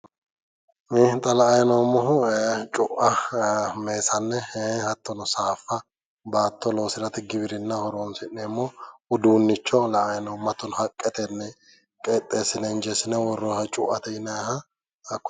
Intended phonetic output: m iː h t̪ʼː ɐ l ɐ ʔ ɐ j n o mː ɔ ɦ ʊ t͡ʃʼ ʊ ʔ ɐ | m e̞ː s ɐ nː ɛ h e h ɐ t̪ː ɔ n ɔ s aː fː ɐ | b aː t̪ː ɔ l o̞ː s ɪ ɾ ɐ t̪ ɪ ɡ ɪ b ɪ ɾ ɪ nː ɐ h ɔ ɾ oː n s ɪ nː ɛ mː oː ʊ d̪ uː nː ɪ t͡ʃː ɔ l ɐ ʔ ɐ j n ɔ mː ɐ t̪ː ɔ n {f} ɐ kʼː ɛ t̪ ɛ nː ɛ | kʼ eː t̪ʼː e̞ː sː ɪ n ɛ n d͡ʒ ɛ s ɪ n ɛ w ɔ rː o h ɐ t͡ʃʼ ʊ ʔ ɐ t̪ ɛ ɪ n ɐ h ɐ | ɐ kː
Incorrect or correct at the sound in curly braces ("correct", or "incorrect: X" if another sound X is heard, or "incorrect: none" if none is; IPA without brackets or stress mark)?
incorrect: h